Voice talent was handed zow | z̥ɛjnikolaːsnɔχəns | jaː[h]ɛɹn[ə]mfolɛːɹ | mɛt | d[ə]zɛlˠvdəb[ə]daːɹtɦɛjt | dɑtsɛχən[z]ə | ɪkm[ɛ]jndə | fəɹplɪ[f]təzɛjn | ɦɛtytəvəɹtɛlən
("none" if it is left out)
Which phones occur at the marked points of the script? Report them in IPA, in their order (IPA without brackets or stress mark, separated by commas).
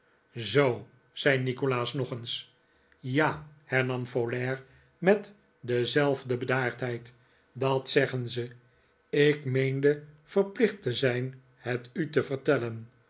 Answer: h, ɑ, ə, ə, z, e, χ